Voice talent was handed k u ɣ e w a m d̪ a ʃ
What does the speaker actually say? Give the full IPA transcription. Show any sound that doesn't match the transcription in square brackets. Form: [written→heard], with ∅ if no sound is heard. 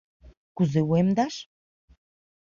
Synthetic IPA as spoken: k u [ɣ→z] e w [a→e] m d̪ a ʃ